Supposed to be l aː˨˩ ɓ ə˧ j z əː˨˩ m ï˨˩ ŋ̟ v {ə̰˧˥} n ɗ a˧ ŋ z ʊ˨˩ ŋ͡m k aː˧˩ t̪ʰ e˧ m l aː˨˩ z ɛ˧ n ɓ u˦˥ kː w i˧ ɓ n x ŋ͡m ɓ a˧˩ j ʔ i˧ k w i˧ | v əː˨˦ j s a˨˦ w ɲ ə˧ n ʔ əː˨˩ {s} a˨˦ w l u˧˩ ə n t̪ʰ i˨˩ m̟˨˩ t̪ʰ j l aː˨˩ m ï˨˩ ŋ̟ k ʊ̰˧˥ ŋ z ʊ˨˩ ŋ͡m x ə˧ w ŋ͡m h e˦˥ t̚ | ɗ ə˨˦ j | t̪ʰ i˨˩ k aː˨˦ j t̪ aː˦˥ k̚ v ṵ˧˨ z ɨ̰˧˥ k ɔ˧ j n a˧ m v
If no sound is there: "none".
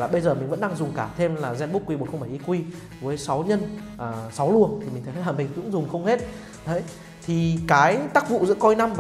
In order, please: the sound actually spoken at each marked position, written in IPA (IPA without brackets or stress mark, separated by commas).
ə̰˧˥, s